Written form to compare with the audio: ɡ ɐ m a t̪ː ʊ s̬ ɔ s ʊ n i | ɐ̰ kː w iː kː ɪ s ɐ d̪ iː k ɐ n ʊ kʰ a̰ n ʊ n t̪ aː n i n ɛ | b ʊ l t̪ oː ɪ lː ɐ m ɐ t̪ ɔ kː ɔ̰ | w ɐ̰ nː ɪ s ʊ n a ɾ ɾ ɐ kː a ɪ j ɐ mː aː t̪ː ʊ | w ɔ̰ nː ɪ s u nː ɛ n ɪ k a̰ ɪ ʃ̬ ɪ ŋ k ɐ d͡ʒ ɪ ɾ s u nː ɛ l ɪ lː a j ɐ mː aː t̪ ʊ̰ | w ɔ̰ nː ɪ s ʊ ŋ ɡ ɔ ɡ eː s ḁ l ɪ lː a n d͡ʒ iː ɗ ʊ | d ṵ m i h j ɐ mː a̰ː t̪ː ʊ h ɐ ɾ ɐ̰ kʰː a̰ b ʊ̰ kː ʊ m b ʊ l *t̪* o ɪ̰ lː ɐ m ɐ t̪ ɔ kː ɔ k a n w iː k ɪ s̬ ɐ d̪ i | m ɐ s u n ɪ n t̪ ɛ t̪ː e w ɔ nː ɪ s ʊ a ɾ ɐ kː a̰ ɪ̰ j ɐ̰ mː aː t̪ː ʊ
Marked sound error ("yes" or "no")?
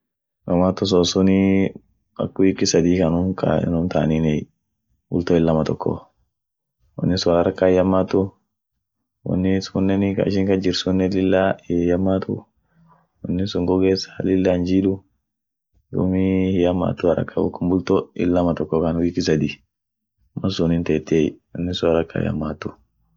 no